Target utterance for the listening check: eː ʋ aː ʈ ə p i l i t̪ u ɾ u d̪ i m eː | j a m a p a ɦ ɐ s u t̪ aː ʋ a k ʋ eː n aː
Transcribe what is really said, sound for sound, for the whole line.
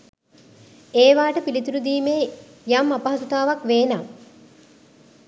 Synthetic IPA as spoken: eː ʋ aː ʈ ə p i l i t̪ u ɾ u d̪ iː m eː | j a m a p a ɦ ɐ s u t̪ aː ʋ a k ʋ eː n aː